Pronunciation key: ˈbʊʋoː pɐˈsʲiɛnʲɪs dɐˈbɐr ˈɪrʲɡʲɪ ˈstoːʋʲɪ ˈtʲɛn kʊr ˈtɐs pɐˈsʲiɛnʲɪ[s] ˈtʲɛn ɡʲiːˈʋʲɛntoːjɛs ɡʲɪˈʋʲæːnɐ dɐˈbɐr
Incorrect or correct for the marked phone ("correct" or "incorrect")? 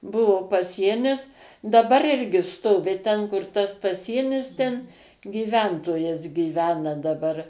correct